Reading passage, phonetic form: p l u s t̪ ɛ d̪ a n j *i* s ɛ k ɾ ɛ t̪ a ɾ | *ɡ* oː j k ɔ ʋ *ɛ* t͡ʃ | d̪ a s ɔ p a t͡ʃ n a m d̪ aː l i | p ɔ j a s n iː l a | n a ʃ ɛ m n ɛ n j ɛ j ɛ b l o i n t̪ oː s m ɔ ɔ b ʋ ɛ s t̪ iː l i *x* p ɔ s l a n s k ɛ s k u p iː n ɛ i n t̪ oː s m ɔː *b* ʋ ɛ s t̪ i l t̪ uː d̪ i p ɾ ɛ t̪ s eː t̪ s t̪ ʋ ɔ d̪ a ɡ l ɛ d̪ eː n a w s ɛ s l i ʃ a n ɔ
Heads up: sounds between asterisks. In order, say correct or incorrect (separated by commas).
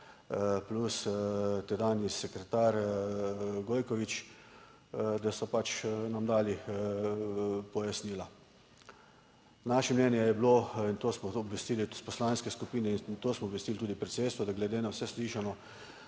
correct, correct, incorrect, incorrect, correct